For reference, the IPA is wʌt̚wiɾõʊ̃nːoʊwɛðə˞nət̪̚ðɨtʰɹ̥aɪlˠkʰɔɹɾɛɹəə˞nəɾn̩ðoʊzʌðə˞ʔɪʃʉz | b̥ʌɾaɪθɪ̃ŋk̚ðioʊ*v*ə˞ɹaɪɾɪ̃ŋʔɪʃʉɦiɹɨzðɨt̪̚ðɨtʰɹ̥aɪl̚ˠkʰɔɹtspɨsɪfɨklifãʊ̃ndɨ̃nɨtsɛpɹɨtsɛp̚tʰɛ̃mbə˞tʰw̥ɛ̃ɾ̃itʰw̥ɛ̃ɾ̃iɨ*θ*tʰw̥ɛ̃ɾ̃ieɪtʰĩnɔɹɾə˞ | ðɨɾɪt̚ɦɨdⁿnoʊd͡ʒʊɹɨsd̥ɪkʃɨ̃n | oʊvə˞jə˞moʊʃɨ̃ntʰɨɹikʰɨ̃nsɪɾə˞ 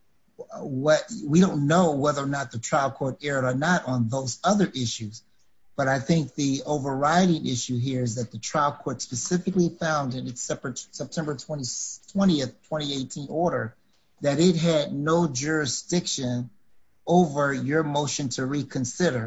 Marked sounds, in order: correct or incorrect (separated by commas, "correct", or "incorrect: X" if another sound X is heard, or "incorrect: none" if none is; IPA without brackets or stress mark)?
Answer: correct, correct